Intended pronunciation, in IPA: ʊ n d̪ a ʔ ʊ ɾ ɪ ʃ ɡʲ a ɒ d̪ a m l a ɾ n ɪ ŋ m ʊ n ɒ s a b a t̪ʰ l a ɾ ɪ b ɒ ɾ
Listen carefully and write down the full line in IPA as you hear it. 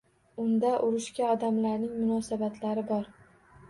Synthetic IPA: ʊ n d̪ a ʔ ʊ ɾ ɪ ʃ kʲ a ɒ d̪ a m l a ɾ n ɪ ŋ m ʊ n ɒ s a b a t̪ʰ l a ɾ ɪ b ɒ ɾ